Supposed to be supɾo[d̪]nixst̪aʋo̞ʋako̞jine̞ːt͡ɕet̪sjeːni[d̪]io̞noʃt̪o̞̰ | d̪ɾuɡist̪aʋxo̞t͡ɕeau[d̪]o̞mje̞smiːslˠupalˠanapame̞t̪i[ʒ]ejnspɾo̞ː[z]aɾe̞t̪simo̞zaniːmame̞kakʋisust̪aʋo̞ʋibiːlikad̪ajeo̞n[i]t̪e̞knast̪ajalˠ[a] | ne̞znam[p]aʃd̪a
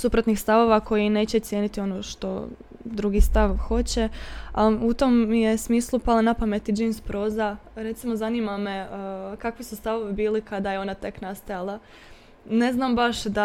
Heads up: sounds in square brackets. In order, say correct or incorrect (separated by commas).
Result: incorrect, incorrect, incorrect, incorrect, correct, incorrect, correct, incorrect